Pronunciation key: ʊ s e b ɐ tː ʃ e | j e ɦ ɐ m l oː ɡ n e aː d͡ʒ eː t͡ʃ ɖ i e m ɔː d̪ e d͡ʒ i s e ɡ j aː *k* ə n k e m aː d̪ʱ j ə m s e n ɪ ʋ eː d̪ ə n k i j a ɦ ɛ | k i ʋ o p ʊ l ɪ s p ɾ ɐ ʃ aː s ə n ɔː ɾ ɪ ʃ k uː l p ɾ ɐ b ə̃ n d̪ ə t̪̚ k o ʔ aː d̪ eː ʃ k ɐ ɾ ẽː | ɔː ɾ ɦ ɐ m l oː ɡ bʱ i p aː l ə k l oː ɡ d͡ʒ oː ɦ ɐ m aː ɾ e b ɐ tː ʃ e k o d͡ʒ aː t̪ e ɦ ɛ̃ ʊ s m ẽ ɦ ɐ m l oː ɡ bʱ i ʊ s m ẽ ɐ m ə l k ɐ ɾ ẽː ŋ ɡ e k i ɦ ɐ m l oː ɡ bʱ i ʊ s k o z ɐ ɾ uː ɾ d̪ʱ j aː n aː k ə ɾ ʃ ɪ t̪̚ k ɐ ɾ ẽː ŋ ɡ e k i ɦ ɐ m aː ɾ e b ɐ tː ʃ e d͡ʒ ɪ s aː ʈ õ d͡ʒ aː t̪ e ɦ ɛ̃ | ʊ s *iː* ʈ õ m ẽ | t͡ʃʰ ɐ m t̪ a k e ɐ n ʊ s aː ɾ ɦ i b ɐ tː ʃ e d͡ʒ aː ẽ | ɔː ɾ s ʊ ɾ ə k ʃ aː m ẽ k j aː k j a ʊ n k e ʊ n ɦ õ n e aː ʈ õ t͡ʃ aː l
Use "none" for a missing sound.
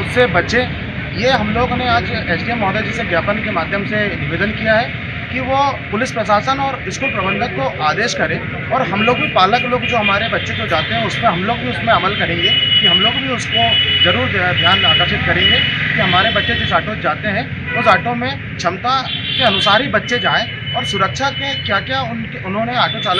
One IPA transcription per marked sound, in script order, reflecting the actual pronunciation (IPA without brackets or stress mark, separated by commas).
p, aː